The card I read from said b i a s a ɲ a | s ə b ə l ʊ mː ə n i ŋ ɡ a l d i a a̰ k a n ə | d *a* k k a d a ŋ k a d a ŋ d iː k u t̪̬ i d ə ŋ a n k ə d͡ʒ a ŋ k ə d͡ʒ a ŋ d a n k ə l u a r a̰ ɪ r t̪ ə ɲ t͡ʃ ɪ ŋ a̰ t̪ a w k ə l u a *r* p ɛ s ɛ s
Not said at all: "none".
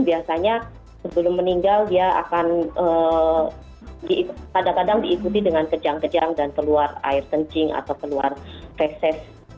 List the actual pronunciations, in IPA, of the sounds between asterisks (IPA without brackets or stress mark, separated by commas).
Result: i, r